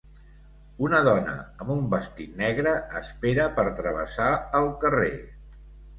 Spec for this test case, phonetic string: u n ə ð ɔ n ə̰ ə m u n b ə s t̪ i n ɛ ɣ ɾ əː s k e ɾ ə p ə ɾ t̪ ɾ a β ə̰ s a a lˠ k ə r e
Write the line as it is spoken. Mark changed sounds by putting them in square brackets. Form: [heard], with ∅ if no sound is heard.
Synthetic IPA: u n ə ð ɔ n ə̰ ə m u [m] b ə s t̪ i n ɛ ɣ ɾ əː s [p] e ɾ ə p ə ɾ t̪ ɾ [ə] β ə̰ s a [ə] lˠ k ə r e